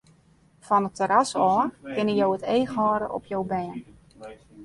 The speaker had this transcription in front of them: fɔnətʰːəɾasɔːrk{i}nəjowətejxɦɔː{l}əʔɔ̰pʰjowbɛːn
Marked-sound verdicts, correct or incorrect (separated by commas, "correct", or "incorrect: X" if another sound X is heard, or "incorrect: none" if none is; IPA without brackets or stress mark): incorrect: ɪ, incorrect: ɾ